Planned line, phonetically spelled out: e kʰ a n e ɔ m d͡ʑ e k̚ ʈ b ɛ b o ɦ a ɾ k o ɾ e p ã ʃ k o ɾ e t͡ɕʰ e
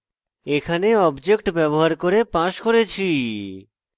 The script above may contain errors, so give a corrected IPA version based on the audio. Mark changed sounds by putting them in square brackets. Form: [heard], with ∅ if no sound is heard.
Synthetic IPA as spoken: e kʰ a n e ɔ [b] d͡ʑ e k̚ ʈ b ɛ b o ɦ a ɾ k o ɾ e p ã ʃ k o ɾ e t͡ɕʰ [i]